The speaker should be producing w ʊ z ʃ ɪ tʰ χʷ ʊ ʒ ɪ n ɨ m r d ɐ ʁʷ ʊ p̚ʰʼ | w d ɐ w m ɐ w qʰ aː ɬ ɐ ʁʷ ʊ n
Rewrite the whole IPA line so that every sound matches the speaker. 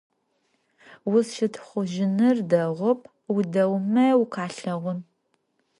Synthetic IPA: w ʊ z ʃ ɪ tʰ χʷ ʊ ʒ ɪ n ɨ r d ɐ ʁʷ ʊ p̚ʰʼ | w d ɐ w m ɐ w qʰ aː ɬ ɐ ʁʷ ʊ n